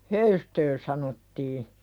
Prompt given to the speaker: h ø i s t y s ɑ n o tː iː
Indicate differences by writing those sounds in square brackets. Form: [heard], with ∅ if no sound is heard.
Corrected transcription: h ø [y] s t [ø] s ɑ n o tː iː

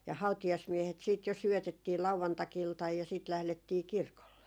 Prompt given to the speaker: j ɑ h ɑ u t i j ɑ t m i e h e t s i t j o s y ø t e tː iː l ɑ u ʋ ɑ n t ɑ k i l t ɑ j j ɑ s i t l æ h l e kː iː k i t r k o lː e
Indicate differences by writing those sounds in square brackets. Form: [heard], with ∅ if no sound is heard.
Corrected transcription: j ɑ h ɑ u t i j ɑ [s] m i e h e t s [iː] t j o s y ø t e tː iː l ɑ u ʋ ɑ n t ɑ k i l t ɑ j j ɑ s [iː] t l æ h l e [tː] iː k i [∅] r k o lː e

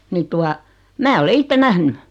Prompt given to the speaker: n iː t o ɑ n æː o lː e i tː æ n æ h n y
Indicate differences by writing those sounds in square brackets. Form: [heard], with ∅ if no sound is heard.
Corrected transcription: n [i] t [u] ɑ [m] æː o [l] e i tː [e] n æ h n y

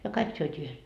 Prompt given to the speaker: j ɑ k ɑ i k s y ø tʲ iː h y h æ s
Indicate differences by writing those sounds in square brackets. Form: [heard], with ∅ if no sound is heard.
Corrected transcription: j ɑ k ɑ i k s y ø tʲ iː [∅] y h [e] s

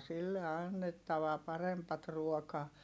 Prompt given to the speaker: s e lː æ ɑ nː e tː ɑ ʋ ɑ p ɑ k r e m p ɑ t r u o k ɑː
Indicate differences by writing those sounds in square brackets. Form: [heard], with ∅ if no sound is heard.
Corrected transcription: s [i] lː [e] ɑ nː e tː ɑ ʋ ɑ p ɑ [∅] r e m p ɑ t r u o k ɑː

